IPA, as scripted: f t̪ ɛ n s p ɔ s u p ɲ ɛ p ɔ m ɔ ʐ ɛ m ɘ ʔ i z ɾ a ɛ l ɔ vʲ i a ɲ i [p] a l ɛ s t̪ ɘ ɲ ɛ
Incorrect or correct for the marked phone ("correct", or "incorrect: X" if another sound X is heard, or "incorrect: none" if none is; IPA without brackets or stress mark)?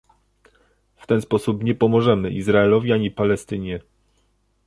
correct